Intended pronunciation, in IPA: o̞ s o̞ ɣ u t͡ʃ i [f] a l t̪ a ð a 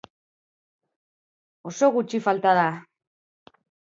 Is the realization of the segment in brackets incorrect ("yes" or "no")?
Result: no